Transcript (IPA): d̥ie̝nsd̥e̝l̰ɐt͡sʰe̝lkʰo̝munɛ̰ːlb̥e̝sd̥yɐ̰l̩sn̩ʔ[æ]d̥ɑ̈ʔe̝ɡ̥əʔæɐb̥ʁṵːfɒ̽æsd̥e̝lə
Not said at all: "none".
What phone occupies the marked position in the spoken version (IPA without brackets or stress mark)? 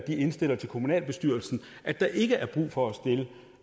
æ